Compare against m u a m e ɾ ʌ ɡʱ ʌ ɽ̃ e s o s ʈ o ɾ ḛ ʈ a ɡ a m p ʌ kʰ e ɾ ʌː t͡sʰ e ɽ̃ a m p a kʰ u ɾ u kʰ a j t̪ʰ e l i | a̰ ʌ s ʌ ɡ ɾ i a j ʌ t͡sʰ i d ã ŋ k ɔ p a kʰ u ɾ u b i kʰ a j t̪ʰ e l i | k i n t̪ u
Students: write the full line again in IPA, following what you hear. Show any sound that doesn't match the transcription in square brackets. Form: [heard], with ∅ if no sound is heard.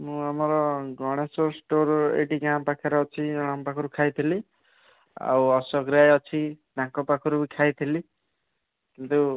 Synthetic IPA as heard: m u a m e ɾ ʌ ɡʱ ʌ ɽ̃ e s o s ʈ o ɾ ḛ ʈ [i] ɡ a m p [a] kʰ e ɾ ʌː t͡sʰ [i] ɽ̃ a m p a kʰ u ɾ u kʰ a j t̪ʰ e l i | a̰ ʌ s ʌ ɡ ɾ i a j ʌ t͡sʰ i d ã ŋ k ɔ p a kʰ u ɾ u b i kʰ a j t̪ʰ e l i | k i n t̪ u